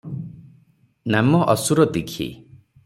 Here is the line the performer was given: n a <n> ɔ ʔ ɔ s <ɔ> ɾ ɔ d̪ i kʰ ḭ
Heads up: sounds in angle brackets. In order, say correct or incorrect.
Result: incorrect, incorrect

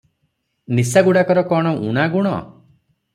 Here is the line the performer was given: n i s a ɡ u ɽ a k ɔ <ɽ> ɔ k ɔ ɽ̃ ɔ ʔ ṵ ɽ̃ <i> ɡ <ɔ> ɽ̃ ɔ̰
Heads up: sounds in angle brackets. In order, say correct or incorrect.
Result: incorrect, incorrect, incorrect

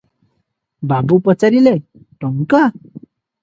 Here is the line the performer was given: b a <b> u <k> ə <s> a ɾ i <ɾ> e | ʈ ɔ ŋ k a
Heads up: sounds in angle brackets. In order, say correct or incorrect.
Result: correct, incorrect, incorrect, incorrect

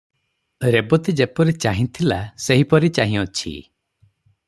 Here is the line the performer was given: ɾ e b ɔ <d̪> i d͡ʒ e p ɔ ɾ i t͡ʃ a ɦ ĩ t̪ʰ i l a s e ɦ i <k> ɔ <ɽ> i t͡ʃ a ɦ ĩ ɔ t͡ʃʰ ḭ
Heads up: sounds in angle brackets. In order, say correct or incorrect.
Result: incorrect, incorrect, incorrect

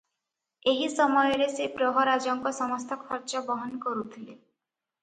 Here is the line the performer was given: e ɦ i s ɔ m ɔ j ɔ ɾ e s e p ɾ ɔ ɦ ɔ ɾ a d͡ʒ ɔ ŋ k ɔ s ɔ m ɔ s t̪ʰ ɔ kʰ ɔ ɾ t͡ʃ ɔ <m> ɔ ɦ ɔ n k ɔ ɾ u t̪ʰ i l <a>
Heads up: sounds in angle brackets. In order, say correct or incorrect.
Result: incorrect, incorrect

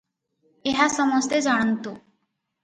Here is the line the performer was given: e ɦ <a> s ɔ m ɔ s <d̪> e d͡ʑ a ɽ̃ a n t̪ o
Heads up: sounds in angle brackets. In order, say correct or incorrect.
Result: correct, incorrect

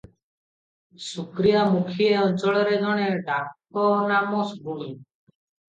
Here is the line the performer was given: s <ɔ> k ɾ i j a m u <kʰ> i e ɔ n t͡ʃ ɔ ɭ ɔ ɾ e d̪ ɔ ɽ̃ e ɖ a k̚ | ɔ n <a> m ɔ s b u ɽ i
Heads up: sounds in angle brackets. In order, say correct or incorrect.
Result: incorrect, correct, correct

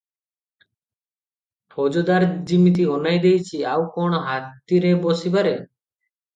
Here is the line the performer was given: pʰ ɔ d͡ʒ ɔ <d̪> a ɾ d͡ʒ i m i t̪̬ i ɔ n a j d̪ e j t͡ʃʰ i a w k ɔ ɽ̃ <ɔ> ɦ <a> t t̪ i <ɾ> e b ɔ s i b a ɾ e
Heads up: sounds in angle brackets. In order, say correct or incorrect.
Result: correct, correct, correct, correct

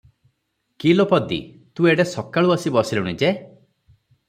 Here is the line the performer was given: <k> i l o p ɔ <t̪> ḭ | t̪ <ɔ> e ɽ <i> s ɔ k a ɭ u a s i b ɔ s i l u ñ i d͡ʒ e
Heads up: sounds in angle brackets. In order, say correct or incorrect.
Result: correct, incorrect, incorrect, incorrect

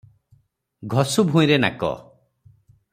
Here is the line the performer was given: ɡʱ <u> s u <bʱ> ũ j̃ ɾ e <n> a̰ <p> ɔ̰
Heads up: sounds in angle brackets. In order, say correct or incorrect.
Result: incorrect, correct, correct, incorrect

